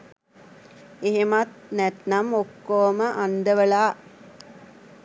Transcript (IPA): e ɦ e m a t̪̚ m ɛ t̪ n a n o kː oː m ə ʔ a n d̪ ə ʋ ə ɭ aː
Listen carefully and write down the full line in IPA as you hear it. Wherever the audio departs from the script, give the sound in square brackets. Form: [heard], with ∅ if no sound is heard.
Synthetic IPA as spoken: e ɦ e m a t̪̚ [n] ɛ t̪ n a [m] o kː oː m ə ʔ a n d̪ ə ʋ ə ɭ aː